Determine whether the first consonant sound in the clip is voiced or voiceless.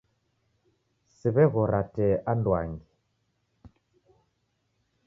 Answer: voiceless